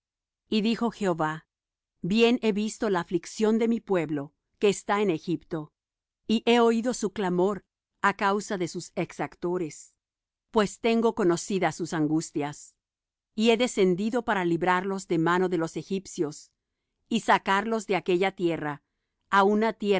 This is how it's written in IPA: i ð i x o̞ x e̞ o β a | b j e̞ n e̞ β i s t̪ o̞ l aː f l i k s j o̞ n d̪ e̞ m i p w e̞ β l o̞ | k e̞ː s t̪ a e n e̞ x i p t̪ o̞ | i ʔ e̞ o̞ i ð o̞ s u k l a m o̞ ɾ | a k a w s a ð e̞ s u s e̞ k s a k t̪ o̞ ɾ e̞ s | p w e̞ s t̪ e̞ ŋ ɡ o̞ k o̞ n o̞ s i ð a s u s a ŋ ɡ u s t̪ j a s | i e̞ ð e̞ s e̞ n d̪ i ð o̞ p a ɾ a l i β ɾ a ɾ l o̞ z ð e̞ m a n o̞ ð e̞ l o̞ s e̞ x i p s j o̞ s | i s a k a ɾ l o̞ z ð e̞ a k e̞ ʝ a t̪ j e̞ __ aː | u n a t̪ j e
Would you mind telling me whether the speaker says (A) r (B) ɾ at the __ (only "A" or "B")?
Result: A